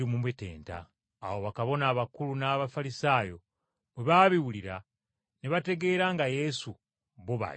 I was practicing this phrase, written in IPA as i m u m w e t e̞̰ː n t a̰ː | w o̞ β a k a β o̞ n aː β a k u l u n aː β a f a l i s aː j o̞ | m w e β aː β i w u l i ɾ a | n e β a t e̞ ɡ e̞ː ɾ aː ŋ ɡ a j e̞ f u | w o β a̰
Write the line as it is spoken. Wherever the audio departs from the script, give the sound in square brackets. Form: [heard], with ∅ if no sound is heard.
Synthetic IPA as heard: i m u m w e t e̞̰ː n t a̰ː | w o̞ β a k a β o̞ n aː β a k u l u n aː β a f a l i s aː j o̞ | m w e β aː β i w u l i ɾ a | n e β a t e̞ ɡ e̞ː ɾ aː ŋ ɡ a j e̞ [s] u | [β] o β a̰

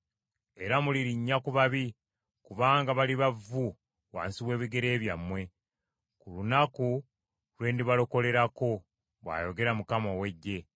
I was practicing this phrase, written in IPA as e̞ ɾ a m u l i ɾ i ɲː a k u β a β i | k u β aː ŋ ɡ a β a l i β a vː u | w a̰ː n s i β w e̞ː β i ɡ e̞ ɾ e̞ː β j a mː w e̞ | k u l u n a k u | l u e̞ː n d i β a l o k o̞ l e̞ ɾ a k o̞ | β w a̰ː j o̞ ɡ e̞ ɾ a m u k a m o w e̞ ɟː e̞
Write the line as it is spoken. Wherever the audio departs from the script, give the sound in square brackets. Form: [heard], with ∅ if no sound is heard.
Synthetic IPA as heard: e̞ ɾ a m u l i ɾ i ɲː a k u β a β i | k u β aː ŋ ɡ a β a l i β a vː u | w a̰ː n s i β w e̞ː β i ɡ e̞ ɾ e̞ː β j a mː w e̞ | k u l u n a k u | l [w] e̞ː n d i β a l o k o̞ l e̞ ɾ a k o̞ | β w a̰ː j o̞ ɡ e̞ ɾ a m u k a m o w e̞ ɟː e̞

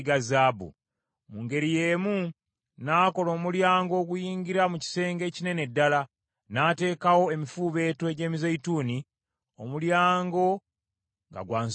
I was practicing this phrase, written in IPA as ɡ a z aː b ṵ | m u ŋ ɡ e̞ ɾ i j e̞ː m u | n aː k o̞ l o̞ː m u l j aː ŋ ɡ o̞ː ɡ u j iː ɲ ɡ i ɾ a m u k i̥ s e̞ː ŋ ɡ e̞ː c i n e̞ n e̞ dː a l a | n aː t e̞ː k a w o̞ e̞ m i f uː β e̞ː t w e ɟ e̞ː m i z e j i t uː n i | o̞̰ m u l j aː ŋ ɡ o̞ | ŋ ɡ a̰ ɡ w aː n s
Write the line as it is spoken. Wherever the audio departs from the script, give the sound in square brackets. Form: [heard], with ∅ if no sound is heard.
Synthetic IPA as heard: ɡ a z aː b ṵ | m u ŋ ɡ e̞ ɾ i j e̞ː m u | n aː k o̞ l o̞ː m u l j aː ŋ ɡ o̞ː ɡ u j iː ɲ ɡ i ɾ a m u [c] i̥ s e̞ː ŋ ɡ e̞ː c i n e̞ n e̞ dː a l a | n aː t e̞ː k a w o̞ e̞ m i f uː β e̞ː t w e ɟ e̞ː m i z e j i t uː n i | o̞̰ m u l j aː ŋ ɡ o̞ | ŋ ɡ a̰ ɡ w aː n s

